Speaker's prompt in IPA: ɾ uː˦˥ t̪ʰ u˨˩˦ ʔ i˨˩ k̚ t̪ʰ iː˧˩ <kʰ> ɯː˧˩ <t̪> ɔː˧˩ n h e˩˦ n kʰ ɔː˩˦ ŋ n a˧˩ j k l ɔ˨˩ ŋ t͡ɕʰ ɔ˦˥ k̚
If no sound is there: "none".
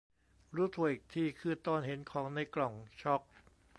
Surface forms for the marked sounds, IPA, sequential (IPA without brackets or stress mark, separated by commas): kʰ, t̪